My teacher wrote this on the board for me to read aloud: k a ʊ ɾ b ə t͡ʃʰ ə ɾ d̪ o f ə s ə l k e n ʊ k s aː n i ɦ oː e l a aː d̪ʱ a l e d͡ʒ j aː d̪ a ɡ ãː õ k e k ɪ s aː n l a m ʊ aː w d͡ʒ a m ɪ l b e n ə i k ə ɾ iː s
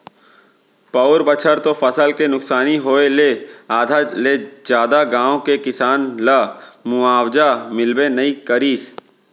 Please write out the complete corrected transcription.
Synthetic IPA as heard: p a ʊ ɾ b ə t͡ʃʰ ə ɾ t̪ o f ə s ə l k e n ʊ k s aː n i ɦ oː e l e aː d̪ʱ a l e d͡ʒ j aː d̪ a ɡ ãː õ k e k ɪ s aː n l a m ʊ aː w d͡ʒ a m ɪ l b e n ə i k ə ɾ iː s